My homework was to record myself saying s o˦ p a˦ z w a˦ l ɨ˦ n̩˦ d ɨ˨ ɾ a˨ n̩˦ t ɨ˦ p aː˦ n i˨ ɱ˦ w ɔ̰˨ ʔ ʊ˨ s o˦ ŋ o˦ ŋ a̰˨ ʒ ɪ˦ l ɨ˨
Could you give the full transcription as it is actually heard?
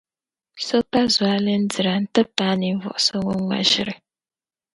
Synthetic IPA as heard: s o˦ p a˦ z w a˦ l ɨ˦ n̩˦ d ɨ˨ ɾ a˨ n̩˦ t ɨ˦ p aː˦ n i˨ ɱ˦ v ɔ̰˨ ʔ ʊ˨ s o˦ ŋ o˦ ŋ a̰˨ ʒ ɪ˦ ɾ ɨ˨